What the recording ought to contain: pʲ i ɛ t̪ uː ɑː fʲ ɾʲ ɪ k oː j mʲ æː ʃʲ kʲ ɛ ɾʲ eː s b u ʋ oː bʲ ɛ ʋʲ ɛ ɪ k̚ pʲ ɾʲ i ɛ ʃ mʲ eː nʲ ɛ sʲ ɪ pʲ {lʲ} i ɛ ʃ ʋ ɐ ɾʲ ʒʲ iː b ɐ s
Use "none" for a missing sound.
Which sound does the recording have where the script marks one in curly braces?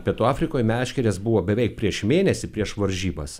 ɾʲ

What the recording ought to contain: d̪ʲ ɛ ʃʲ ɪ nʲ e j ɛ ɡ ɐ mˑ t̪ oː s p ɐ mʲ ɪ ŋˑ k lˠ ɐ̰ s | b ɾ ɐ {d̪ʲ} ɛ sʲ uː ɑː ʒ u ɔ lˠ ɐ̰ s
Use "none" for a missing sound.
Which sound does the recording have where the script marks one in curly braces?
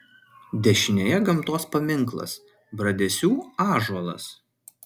d̪ʲ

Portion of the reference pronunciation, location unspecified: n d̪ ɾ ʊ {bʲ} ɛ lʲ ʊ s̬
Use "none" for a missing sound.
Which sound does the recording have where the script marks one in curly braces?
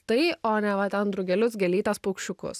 ɡʲ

